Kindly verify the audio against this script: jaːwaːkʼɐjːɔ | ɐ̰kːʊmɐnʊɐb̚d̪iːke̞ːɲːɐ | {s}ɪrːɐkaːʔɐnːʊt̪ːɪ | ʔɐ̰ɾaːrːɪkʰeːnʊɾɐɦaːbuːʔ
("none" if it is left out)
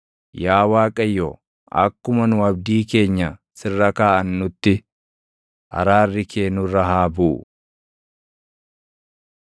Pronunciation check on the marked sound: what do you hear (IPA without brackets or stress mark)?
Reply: s